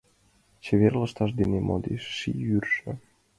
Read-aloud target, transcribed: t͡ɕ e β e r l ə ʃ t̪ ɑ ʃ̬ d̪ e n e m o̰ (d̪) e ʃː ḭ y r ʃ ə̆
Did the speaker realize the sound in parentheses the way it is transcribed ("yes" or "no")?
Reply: yes